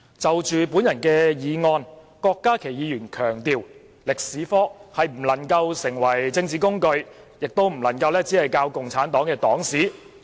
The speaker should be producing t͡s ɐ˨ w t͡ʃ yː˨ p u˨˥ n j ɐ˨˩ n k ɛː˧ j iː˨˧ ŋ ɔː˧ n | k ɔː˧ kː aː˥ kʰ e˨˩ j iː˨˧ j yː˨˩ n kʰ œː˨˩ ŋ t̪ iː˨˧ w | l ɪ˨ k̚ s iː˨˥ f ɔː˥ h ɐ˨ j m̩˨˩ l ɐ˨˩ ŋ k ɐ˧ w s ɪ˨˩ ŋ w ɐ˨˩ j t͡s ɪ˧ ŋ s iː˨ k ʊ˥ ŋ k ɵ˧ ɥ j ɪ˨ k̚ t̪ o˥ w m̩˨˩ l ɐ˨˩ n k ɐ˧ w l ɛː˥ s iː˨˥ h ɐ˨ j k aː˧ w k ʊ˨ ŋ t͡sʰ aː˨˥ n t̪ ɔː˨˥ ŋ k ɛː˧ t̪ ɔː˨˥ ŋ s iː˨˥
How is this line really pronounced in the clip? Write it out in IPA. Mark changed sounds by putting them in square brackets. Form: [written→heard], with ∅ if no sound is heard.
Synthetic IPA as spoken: t͡s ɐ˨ w t͡ʃ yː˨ p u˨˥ n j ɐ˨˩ n k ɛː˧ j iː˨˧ ŋ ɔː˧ n | k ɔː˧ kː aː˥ kʰ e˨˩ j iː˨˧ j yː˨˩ n kʰ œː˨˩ ŋ t̪ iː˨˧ w | l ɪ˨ k̚ s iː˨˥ f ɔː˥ h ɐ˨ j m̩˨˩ l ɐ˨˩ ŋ k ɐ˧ w s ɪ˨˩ ŋ w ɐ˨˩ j t͡s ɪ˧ ŋ [s→t͡s] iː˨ k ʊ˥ ŋ k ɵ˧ ɥ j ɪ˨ k̚ t̪ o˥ w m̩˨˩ l ɐ˨˩ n k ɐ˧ w l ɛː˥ [s→t͡s] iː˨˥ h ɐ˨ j k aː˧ w k ʊ˨ ŋ t͡sʰ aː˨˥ n t̪ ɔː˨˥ ŋ k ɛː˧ t̪ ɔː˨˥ ŋ s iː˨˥